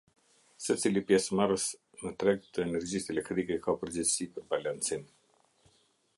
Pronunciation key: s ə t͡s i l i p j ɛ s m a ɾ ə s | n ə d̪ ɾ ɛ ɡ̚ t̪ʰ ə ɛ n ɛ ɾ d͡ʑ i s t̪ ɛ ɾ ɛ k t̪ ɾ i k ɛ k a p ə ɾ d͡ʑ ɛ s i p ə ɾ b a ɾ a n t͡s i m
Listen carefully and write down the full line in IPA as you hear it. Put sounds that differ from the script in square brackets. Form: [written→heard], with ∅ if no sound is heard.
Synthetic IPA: s ə t͡s i l i p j ɛ s m a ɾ ə s | n ə [d̪→t̪] ɾ ɛ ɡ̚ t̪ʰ ə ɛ n ɛ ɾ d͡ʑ i s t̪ ɛ [ɾ→l] ɛ k t̪ ɾ i k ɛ k a p ə ɾ d͡ʑ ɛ s i p ə ɾ b a [ɾ→l] a n t͡s i m